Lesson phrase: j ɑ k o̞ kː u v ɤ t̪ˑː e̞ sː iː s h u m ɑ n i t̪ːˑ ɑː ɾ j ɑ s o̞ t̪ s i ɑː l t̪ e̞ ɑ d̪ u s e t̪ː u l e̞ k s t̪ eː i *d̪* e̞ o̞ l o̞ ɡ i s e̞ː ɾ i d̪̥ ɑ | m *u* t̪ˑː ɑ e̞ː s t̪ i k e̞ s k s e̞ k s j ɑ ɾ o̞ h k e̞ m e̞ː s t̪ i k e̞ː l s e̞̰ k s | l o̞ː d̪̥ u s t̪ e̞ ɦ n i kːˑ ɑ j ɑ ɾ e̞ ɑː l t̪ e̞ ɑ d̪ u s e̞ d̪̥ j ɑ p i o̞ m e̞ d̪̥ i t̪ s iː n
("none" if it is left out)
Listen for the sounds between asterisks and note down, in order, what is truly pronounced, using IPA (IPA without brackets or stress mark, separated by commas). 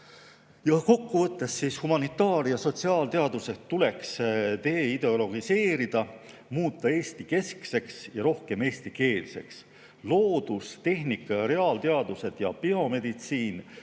d̪, uː